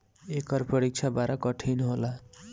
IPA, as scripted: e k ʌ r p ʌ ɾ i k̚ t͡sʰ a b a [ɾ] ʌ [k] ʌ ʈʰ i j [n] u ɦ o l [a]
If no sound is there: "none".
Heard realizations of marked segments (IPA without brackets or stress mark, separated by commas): ɾ, k, n, a